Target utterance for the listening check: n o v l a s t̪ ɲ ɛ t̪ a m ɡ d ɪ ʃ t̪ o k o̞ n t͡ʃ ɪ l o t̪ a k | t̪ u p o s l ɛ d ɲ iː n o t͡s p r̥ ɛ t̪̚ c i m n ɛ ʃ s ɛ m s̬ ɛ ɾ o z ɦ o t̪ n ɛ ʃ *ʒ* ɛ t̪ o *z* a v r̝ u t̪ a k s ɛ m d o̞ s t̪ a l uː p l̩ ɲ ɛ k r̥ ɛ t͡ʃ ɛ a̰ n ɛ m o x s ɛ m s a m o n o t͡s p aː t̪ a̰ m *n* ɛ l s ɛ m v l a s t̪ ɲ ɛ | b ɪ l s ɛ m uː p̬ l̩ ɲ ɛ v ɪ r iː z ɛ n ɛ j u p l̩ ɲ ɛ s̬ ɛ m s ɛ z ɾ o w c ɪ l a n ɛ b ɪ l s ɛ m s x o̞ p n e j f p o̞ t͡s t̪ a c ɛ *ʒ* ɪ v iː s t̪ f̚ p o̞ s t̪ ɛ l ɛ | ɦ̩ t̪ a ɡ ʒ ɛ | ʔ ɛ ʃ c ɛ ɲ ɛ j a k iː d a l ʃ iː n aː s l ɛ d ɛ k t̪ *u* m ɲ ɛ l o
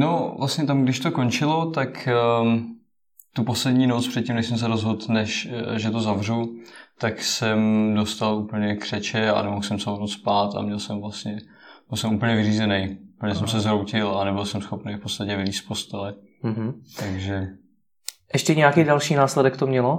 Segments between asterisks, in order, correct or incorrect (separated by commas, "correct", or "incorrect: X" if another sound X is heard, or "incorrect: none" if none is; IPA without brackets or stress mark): correct, correct, incorrect: ɲ, incorrect: v, incorrect: o